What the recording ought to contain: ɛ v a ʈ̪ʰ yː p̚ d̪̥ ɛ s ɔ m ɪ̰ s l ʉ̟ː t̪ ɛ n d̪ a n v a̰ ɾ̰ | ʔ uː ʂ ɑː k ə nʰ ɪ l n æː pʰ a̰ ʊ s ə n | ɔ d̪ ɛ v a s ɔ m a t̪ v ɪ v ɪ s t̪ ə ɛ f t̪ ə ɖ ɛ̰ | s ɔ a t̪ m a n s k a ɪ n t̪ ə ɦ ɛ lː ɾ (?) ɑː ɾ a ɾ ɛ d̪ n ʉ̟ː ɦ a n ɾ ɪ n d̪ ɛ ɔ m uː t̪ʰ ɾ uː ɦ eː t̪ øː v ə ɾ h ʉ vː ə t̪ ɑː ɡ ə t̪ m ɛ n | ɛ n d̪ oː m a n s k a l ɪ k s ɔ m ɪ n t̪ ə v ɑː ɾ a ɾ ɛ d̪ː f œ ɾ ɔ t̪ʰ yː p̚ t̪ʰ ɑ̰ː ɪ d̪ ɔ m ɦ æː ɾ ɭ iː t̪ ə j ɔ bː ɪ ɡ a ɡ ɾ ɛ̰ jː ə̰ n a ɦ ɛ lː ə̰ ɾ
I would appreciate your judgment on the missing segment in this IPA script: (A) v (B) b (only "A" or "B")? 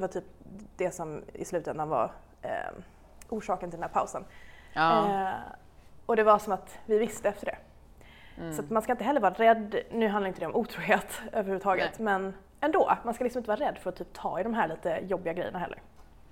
A